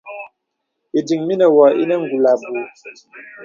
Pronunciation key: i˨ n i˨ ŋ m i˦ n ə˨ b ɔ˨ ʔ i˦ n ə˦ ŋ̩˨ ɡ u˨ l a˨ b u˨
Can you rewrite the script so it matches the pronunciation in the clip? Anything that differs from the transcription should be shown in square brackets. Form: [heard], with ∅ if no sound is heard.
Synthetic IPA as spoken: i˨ [d] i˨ ŋ m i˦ n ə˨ [w] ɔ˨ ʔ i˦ n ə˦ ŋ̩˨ ɡ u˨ l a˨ b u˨